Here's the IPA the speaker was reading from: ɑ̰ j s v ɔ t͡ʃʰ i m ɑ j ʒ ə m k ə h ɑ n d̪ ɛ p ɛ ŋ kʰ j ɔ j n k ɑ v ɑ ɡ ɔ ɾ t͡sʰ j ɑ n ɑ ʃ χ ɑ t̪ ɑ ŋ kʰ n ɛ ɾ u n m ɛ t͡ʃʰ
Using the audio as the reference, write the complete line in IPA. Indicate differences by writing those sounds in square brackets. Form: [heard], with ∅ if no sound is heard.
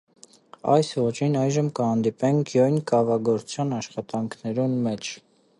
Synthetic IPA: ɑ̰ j s v ɔ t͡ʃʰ i [n] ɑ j ʒ ə m k ə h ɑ n d̪ [i] p ɛ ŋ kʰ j ɔ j n k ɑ v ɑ ɡ ɔ ɾ t͡sʰ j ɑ n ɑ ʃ χ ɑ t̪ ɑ ŋ kʰ n ɛ ɾ u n m ɛ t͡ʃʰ